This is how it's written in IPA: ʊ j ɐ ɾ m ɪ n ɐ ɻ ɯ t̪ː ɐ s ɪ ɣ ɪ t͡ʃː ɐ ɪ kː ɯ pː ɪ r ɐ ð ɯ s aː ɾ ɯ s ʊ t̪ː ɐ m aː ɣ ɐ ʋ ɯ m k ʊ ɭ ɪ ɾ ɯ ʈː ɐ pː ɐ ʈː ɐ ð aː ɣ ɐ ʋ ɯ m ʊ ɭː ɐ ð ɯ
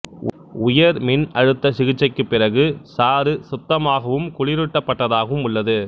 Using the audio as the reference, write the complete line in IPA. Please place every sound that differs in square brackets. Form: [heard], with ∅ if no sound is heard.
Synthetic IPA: ʊ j ɐ ɾ m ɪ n ɐ ɻ ɯ t̪ː ɐ s ɪ ɣ ɪ t͡ʃː ɐ ɪ kː ɯ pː ɪ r ɐ [ɣ] ɯ s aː ɾ ɯ s ʊ t̪ː ɐ m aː ɣ ɐ ʋ ɯ m k ʊ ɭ ɪ ɾ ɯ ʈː ɐ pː ɐ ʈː ɐ ð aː ɣ ɐ ʋ ɯ m ʊ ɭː ɐ ð ɯ